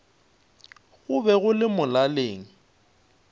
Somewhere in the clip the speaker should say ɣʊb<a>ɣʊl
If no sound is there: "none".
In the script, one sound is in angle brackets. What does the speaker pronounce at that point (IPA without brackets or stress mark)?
ɛ